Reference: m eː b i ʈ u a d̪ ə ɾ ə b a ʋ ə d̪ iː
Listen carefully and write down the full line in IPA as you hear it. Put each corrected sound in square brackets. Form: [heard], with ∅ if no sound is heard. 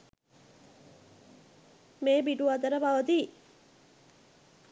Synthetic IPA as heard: m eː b i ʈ u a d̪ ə ɾ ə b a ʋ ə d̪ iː